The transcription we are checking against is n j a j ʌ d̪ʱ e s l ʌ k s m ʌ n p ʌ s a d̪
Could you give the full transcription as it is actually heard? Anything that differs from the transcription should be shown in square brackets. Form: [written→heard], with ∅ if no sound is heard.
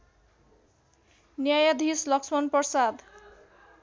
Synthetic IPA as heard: n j a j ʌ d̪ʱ [e→i] s l ʌ k s m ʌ n p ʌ s a d̪